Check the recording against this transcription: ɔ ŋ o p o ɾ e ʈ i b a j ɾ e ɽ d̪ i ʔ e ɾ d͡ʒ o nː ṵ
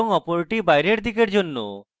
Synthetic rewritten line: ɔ ŋ ɔ p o ɾ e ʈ i b a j ɾ e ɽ d̪ i k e ɾ d͡ʒ o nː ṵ